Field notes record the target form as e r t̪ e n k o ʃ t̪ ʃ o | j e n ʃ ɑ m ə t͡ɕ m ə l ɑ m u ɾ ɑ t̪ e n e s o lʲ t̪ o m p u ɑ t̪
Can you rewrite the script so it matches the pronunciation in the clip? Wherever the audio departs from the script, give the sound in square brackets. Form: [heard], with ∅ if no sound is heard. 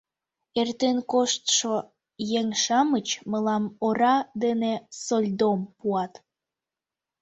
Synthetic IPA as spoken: e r t̪ e n k o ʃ t̪ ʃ o | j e [ŋ] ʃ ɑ m ə t͡ɕ m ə l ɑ m [o] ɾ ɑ [d̪] e n e s o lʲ [d̪] o m p u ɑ t̪